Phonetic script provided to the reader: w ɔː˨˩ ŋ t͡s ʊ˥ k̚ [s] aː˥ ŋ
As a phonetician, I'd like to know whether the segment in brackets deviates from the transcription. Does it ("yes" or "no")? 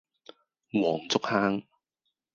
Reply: yes